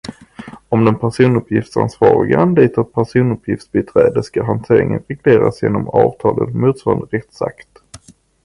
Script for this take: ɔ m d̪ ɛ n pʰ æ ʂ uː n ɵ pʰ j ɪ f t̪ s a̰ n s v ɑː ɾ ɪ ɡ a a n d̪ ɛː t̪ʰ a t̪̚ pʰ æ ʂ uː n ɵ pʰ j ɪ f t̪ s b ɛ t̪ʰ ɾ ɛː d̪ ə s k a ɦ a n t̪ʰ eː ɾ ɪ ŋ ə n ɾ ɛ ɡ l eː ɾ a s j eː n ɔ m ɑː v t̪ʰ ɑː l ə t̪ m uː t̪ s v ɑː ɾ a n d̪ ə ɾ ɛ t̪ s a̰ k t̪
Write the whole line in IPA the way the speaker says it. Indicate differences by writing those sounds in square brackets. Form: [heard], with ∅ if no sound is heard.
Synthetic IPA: ɔ m d̪ ɛ n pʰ æ ʂ uː n ɵ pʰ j ɪ f t̪ s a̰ n s v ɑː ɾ ɪ ɡ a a n d̪ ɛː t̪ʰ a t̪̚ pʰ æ ʂ uː n ɵ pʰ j ɪ f t̪ s b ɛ t̪ʰ ɾ ɛː d̪ ə s k a ɦ a n t̪ʰ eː ɾ ɪ ŋ ə n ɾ ɛ ɡ l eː ɾ a s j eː n ɔ m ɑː v t̪ʰ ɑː l ə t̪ m uː t̪ s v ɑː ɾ a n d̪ ə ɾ ɛ t̪ s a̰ k t̪